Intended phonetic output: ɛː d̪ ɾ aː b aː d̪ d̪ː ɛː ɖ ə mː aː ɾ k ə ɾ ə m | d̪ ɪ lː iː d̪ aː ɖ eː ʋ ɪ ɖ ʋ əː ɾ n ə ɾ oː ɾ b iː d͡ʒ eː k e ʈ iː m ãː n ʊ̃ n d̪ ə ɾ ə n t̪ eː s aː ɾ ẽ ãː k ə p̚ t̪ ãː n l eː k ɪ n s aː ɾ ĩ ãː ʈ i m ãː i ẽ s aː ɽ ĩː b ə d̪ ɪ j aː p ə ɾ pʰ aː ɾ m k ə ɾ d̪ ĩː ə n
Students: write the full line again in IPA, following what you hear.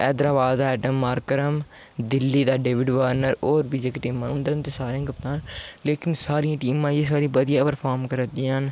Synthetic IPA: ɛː d̪ ɾ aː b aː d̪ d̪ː ɛː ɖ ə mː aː ɾ k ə ɾ ə m | d̪ ɪ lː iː d̪ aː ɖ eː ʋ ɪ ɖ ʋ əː ɾ n ə ɾ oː ɾ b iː d͡ʒ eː k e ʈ iː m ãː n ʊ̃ n d̪ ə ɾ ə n t̪ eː s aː ɾ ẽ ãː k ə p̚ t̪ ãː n l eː k ɪ n s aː ɾ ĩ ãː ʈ iː m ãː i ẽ s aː ɾ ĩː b ə d̪ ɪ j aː p ə ɾ pʰ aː ɾ m k ə ɾ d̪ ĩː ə n